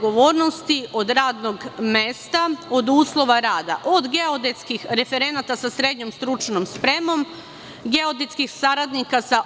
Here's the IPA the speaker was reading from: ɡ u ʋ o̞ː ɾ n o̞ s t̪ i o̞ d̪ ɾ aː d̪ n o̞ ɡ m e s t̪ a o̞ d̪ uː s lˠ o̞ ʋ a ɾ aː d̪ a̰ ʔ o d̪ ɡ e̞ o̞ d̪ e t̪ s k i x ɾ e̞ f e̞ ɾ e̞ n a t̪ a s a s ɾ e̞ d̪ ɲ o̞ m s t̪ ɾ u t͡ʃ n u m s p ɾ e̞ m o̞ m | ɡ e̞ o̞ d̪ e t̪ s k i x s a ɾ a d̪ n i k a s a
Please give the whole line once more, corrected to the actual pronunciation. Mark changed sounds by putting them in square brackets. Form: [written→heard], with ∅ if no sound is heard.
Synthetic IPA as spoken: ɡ [u→o] ʋ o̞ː ɾ n o̞ s t̪ i o̞ d̪ ɾ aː d̪ n o̞ ɡ m e s t̪ a o̞ d̪ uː s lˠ o̞ ʋ a ɾ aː d̪ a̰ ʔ o d̪ ɡ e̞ o̞ d̪ e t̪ s k i x ɾ e̞ f e̞ ɾ e̞ n a t̪ a s a s ɾ e̞ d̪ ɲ o̞ m s t̪ ɾ u t͡ʃ n [u→o] m s p ɾ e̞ m o̞ m | ɡ e̞ o̞ d̪ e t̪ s k i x s a ɾ a d̪ n i k a s a